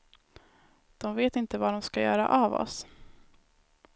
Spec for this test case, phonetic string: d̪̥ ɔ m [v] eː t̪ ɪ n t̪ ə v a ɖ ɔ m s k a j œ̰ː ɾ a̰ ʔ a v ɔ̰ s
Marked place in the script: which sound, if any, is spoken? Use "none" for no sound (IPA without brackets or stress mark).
v